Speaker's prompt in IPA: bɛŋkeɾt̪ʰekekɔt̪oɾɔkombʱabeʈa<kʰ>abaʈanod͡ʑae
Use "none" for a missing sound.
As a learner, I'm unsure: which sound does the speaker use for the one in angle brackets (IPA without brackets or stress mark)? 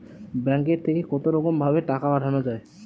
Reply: k